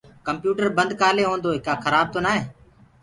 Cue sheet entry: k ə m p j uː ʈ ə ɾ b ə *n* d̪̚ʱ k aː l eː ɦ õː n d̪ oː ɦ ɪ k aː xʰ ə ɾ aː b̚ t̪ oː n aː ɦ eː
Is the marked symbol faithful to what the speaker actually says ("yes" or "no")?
yes